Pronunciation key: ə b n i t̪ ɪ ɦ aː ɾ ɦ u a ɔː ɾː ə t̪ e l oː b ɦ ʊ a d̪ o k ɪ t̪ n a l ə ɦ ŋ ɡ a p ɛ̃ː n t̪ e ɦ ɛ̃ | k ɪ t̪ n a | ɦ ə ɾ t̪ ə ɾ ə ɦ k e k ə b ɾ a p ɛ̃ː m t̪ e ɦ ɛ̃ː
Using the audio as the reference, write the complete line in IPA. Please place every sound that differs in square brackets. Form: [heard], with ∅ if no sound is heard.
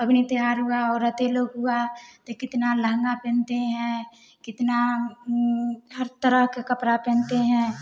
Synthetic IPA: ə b n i t̪ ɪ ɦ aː ɾ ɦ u a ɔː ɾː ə t̪ e l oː [ɡ] ɦ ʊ a [t̪] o k ɪ t̪ n a l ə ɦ ŋ ɡ a p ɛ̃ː n t̪ e ɦ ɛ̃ | k ɪ t̪ n a | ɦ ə ɾ t̪ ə ɾ ə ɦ k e k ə [p] ɾ a p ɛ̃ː [n] t̪ e ɦ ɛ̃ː